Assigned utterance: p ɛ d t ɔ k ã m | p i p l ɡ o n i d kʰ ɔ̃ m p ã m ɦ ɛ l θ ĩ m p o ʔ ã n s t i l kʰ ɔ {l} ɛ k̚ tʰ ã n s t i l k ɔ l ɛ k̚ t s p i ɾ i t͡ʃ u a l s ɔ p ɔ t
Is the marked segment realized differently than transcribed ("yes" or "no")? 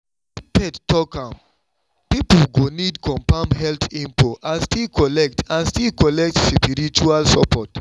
no